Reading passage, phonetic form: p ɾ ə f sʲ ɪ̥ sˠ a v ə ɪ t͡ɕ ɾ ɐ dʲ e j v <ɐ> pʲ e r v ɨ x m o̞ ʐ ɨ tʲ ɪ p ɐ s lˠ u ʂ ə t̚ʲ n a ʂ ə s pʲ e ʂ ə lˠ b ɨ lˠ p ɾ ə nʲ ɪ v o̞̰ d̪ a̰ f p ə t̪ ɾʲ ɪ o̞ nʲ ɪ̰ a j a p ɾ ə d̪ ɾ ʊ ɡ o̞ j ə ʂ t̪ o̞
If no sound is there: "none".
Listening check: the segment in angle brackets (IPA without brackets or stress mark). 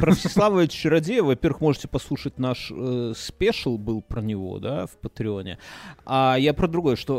ɐ